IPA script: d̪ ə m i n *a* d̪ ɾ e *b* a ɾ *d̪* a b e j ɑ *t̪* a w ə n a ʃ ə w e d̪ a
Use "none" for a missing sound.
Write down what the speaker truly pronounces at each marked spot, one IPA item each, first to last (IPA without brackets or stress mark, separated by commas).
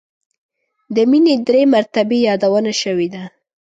e, m, t̪, d̪